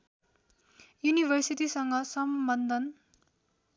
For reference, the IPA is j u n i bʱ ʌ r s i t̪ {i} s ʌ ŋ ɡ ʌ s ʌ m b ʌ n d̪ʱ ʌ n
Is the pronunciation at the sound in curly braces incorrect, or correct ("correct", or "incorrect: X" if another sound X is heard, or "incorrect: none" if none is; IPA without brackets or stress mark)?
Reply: correct